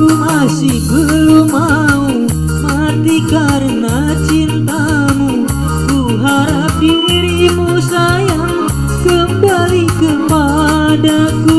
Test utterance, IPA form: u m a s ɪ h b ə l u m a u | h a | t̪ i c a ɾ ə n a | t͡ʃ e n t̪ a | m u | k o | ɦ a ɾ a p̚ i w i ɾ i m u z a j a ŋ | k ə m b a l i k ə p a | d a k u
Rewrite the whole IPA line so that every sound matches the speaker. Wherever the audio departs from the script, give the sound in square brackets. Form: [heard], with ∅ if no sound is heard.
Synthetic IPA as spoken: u m a s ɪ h b ə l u m a u | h a | t̪ i [k] a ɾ ə n a | t͡ʃ [i] n t̪ a | m u | k [u] | ɦ a ɾ a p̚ i w i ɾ i m u [s] a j a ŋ | k ə m b a l i k ə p a | d a k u

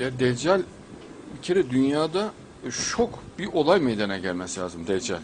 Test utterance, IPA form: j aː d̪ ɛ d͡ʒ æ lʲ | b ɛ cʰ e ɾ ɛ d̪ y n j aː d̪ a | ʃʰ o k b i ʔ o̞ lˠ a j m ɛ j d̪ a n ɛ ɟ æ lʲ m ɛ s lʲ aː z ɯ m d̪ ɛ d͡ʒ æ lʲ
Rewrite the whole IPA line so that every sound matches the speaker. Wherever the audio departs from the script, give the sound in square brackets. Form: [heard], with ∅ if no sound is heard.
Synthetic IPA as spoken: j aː d̪ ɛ d͡ʒ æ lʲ | b [i] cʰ e ɾ ɛ d̪ y n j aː d̪ a | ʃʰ o k b i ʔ o̞ lˠ a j m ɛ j d̪ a n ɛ ɟ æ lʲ m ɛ s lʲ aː z ɯ m d̪ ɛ d͡ʒ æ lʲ

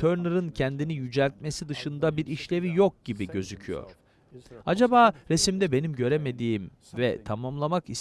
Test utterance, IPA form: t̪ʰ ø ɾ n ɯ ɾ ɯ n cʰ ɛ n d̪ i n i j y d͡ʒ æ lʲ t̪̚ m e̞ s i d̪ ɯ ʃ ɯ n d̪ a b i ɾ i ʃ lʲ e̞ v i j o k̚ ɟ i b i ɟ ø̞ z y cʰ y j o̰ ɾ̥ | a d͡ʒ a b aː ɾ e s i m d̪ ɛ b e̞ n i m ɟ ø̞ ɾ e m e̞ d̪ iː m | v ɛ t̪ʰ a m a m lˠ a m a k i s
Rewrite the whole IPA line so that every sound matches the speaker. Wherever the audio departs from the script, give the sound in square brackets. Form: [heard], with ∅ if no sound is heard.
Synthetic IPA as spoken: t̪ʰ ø ɾ n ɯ ɾ ɯ n cʰ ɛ n d̪ i n i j y d͡ʒ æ lʲ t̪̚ m e̞ s i d̪ ɯ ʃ ɯ n d̪ a b i ɾ i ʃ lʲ e̞ v i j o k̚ ɟ i b i ɟ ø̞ z y cʰ y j o̰ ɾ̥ | a d͡ʒ a b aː ɾ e s i m d̪ ɛ b e̞ n i m ɟ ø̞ ɾ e m e̞ d̪ iː m | v ɛ t̪ʰ a m a m lˠ a m a k i s

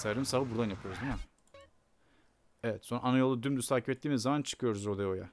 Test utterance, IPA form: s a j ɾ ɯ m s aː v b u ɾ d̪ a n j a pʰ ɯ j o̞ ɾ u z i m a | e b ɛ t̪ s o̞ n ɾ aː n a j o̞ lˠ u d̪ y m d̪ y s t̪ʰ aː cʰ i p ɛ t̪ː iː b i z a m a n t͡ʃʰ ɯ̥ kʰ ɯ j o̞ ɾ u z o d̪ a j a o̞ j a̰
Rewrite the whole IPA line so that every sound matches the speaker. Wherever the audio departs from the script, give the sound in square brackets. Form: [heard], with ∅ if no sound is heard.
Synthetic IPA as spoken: s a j ɾ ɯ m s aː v b u ɾ d̪ a n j a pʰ ɯ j o̞ ɾ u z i m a | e [v] ɛ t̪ s o̞ n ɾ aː n a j o̞ lˠ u d̪ y m d̪ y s t̪ʰ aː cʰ i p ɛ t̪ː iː [m] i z a m a n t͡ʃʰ ɯ̥ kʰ ɯ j o̞ ɾ u z o d̪ a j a o̞ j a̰

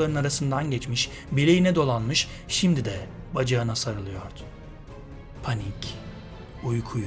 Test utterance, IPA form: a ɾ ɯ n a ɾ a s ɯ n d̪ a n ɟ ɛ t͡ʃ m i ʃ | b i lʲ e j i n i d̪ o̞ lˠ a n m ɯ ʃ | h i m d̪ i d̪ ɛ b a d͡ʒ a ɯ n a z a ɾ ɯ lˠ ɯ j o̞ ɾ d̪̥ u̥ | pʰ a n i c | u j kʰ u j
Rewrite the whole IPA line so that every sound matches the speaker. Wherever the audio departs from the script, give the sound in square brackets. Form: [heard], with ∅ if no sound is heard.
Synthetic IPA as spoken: a ɾ ɯ n a ɾ a s ɯ n d̪ a n ɟ ɛ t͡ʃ m i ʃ | b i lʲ e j i n [ɛ] d̪ o̞ lˠ a n m ɯ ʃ | [ʃ] i m d̪ i d̪ ɛ b a d͡ʒ a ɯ n a [s] a ɾ ɯ lˠ ɯ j o̞ ɾ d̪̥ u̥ | pʰ a n i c | u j kʰ u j

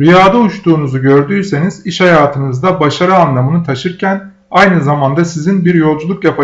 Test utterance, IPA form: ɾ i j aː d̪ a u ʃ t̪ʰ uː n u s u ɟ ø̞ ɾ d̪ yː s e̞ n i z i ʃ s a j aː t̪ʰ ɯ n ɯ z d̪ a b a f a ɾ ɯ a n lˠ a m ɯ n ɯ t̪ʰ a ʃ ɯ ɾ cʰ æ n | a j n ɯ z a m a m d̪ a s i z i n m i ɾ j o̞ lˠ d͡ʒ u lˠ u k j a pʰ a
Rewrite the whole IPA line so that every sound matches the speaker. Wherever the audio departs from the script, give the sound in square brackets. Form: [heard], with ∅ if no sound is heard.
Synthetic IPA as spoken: ɾ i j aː d̪ a u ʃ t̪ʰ uː n u [z] u ɟ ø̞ ɾ d̪ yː s e̞ n i z i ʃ [h] a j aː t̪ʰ ɯ n ɯ z d̪ a b a [ʃ] a ɾ ɯ a n lˠ a m ɯ n ɯ t̪ʰ a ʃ ɯ ɾ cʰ æ n | a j n ɯ z a m a [n] d̪ a s i z i n [b] i ɾ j o̞ lˠ d͡ʒ u lˠ u k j a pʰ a

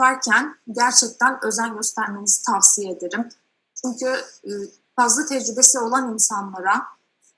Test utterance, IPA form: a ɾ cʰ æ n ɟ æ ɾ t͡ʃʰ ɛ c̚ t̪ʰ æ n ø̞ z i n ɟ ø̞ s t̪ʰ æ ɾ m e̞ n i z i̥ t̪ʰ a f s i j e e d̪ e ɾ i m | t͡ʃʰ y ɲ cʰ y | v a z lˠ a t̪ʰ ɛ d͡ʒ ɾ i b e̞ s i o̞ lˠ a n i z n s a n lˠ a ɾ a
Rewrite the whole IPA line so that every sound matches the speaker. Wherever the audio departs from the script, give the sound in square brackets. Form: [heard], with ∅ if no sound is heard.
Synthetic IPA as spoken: a ɾ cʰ æ n ɟ æ ɾ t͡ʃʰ ɛ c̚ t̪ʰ æ n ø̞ z [æ] n ɟ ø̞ s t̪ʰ æ ɾ m e̞ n i z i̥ t̪ʰ a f s i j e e d̪ e ɾ i m | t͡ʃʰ y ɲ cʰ y | [f] a z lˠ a t̪ʰ ɛ d͡ʒ ɾ [y] b e̞ s i o̞ lˠ a n i [∅] n s a n lˠ a ɾ a

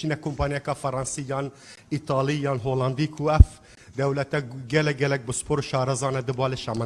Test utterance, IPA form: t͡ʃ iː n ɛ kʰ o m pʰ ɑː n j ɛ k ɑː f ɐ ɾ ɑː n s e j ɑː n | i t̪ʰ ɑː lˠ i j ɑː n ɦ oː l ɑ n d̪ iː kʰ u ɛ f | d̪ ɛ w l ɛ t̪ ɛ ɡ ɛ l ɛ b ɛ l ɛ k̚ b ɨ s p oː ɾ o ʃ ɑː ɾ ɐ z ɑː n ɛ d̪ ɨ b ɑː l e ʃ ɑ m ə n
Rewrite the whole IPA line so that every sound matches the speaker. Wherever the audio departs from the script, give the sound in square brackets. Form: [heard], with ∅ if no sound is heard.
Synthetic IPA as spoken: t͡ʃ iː n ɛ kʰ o m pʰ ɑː n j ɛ k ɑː f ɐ ɾ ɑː n s [i] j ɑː n | i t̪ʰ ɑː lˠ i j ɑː n ɦ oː l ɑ n d̪ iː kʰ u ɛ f | d̪ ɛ w l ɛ t̪ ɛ ɡ ɛ l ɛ [ɡ] ɛ l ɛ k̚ b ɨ s p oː ɾ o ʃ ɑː ɾ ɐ z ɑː n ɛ d̪ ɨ b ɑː l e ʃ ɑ m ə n

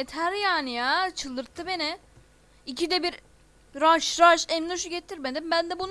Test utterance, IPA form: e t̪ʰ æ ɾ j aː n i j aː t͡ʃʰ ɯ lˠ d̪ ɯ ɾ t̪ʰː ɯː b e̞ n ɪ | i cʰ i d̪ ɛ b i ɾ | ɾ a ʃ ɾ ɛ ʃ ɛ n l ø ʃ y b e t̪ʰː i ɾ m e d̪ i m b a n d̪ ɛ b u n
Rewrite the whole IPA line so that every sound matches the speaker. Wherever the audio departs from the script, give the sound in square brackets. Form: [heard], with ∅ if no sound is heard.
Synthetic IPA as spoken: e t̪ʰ æ ɾ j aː n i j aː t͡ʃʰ ɯ lˠ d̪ ɯ ɾ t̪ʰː [ɯ] b e̞ n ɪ | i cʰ i d̪ ɛ b i ɾ | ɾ a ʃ ɾ [a] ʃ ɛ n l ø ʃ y [ɟ] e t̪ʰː i ɾ m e d̪ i m b [æ] n d̪ ɛ b u n

